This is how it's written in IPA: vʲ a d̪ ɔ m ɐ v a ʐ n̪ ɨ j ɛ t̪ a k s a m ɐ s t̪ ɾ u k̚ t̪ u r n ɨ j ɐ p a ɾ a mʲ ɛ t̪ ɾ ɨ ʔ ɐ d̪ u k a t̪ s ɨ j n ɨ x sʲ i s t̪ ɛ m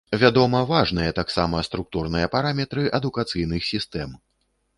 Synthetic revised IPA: vʲ a d̪ ɔ m ɐ v a ʐ n̪ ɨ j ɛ t̪ a k s a m ɐ s t̪ ɾ u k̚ t̪ u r n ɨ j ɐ p a ɾ a mʲ ɛ t̪ ɾ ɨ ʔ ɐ d̪ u k a t̪ s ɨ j n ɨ x sʲ i s t̪ ɛ m

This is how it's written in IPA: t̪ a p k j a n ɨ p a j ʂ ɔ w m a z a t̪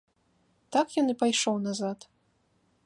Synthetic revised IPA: t̪ a k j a n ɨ p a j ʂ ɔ w n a z a t̪

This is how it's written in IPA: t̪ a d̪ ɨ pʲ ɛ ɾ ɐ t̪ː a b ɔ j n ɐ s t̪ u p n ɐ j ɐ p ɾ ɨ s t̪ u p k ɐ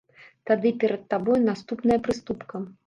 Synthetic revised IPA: t̪ a d̪ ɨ pʲ ɛ ɾ ɐ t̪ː a b ɔ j n a s t̪ u p n ɐ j ɐ p ɾ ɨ s t̪ u p k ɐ

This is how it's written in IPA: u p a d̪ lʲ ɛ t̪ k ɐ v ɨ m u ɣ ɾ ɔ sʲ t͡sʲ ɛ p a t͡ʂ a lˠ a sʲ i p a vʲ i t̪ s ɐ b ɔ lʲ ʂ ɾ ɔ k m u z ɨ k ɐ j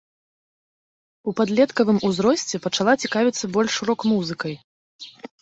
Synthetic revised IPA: u p a d̪ lʲ ɛ t̪ k ɐ v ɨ m u z ɾ ɔ sʲ t͡sʲ ɛ p ɐ t͡ʂ a lˠ a t͡sʲ i k a vʲ i t̪ sː ɐ b ɔ lʲ ʂ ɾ ɔ k m u z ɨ k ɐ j

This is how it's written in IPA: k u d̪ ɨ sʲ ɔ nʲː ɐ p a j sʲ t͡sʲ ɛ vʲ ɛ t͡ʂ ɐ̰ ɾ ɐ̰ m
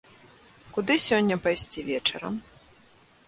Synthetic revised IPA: k u d̪ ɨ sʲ ɔ nʲː ɐ p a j sʲ t͡sʲ i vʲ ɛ t͡ʂ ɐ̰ ɾ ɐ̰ m

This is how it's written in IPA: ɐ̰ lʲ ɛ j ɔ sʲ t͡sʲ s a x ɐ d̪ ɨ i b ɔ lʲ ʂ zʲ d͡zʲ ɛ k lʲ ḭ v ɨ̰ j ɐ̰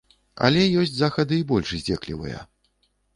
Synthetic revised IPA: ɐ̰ lʲ ɛ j ɔ sʲ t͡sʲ z a x ɐ d̪ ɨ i b ɔ lʲ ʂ zʲ d͡zʲ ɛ k lʲ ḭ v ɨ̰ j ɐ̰

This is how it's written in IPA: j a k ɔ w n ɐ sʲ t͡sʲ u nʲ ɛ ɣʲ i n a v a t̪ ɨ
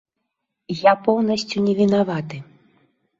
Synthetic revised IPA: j a p ɔ w n ɐ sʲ t͡sʲ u nʲ ɛ vʲ i n a v a t̪ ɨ

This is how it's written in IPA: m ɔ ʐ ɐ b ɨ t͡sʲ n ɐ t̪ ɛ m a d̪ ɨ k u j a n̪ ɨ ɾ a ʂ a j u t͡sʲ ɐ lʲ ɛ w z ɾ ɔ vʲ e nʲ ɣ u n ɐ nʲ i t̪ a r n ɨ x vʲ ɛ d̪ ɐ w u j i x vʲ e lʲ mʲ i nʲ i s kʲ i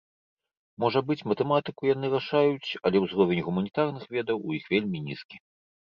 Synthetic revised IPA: m ɔ ʐ ɐ b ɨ t͡sʲ m ɐ t̪ ɛ m a t̪ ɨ k u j a n̪ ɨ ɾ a ʂ a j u t͡sʲ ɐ lʲ ɛ w z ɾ ɔ vʲ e nʲ ɣ u m ɐ nʲ i t̪ a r n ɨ x vʲ ɛ d̪ ɐ w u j i x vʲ e lʲ mʲ i nʲ i s kʲ i

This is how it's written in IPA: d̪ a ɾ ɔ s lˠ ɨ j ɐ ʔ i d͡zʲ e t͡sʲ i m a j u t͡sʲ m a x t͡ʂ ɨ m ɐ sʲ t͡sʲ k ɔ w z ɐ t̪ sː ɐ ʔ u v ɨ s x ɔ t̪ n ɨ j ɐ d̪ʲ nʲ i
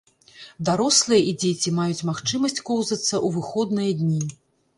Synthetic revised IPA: d̪ a ɾ ɔ s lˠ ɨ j ɐ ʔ i d͡zʲ e t͡sʲ i m a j u t͡sʲ m a x t͡ʂ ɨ m ɐ sʲ t͡sʲ k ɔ w z ɐ t̪ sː ɐ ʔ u v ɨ x ɔ d̪ n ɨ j ɐ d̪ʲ nʲ i

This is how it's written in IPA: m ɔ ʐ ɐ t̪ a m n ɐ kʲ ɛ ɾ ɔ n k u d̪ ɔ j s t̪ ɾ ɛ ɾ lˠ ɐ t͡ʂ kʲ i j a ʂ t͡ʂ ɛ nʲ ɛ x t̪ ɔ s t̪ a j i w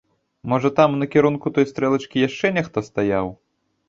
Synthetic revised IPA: m ɔ ʐ ɐ t̪ a m n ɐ kʲ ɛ ɾ u n k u t̪ ɔ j s t̪ ɾ ɛ lˠ ɐ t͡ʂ kʲ i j a ʂ t͡ʂ ɛ nʲ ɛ x t̪ ɔ s t̪ a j a w

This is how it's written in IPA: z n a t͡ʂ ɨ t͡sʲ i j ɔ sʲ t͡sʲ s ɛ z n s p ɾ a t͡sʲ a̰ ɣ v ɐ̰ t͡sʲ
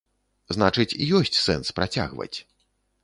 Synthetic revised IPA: z n a t͡ʂ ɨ t͡sʲ i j ɔ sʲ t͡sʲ s ɛ n s p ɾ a t͡sʲ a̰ ɣ v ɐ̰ t͡sʲ

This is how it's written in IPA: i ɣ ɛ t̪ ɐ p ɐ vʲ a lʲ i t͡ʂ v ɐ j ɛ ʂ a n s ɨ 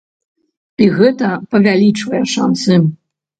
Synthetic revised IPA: i ɣ ɛ t̪ ɐ p ɐ vʲ a lʲ i t͡ʂ v ɐ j ɛ ʂ a n s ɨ

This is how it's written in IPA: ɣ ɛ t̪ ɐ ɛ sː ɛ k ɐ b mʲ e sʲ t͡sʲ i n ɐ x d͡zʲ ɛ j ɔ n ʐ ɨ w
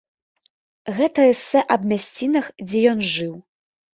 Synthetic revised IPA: ɣ ɛ t̪ ɐ ɛ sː ɛ ʔ ɐ b mʲ a sʲ t͡sʲ i n ɐ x d͡zʲ ɛ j ɔ n ʐ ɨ w

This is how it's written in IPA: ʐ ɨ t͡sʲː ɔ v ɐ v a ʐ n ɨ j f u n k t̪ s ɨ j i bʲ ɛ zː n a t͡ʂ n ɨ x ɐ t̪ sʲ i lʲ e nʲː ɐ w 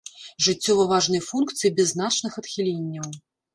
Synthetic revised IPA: ʐ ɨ t͡sʲː ɔ v ɐ v a ʐ n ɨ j f u n k t̪ s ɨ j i bʲ ɛ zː n a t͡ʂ n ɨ x ɐ t̪ xʲ i lʲ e nʲː ɐ w

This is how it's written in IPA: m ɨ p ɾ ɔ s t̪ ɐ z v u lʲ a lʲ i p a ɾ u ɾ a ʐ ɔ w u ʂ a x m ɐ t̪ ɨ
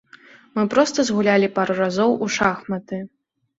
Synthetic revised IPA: m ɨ p ɾ ɔ s t̪ ɐ z ɣ u lʲ a lʲ i p a ɾ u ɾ a z ɔ w u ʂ a x m ɐ t̪ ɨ

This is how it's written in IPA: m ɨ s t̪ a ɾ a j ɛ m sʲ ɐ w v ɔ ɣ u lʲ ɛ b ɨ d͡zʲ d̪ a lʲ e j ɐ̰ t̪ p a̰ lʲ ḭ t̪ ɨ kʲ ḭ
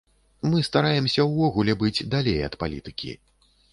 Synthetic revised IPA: m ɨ s t̪ a ɾ a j ɛ m sʲ ɐ w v ɔ ɣ u lʲ ɛ b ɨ d͡zʲ d̪ a lʲ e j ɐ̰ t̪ p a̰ lʲ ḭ t̪ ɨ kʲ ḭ

